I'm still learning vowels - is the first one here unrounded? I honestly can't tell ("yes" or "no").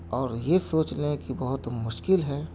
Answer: no